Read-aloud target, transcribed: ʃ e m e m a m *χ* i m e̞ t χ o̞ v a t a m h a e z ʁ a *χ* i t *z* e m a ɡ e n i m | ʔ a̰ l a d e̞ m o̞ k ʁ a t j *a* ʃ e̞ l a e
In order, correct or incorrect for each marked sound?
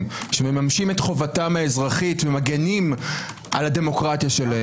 incorrect: ʃ, correct, incorrect: v, correct

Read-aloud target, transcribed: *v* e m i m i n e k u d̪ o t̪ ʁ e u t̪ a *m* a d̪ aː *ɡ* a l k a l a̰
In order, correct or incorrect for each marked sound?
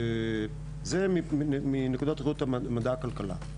incorrect: z, correct, incorrect: k

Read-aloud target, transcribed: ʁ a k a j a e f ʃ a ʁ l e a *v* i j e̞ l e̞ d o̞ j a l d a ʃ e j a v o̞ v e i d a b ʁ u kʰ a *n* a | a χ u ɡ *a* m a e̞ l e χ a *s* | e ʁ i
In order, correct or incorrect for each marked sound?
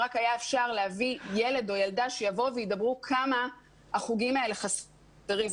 correct, incorrect: m, incorrect: i, correct

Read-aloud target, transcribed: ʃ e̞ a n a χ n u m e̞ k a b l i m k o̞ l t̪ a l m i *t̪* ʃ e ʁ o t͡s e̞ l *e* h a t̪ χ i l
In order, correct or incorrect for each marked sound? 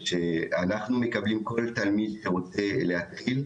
incorrect: d̪, correct

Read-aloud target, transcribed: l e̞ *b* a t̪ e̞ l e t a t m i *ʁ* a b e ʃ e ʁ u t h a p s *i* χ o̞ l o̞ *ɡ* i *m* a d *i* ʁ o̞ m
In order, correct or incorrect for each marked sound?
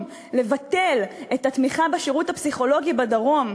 incorrect: v, incorrect: χ, correct, correct, incorrect: b, incorrect: a

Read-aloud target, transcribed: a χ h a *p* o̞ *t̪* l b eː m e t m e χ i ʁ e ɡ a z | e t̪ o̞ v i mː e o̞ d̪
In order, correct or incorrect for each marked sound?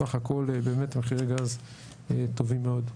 incorrect: k, incorrect: none

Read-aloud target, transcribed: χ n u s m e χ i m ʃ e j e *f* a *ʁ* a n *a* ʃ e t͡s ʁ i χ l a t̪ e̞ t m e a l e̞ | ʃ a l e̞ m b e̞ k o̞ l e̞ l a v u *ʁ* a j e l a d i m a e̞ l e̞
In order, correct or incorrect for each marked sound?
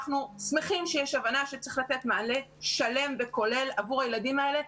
incorrect: ʃ, incorrect: v, correct, correct

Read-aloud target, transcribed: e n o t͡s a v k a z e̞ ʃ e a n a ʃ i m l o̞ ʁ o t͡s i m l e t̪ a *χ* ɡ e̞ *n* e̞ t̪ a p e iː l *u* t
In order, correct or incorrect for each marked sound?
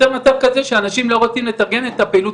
incorrect: ʁ, correct, correct

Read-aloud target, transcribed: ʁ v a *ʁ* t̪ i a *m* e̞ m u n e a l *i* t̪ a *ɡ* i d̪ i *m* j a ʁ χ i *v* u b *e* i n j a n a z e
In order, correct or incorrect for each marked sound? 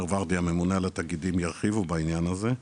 correct, correct, incorrect: a, correct, correct, correct, incorrect: a

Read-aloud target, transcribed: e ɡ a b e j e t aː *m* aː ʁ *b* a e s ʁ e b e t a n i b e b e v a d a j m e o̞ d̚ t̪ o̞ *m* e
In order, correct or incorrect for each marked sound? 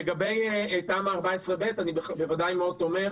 correct, correct, correct

